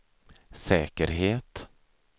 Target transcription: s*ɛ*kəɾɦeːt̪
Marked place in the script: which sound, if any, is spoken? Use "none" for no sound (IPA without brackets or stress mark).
ɛː